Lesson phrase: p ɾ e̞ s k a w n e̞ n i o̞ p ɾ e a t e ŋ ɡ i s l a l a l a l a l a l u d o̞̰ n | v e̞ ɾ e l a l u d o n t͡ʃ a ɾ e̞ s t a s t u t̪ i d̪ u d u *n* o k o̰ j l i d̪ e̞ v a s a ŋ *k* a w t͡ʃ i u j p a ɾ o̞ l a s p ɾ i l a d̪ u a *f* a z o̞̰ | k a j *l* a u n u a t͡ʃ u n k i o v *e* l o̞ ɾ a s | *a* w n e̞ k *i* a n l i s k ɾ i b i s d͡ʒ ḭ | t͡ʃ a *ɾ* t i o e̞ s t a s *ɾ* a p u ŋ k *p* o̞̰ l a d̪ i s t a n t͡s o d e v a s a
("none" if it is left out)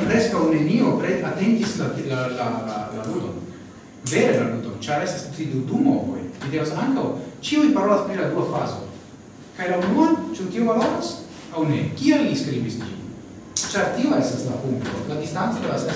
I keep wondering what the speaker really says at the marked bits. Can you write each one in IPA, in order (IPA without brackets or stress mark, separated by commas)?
m, k, f, l, a, a, i, ɾ, l, t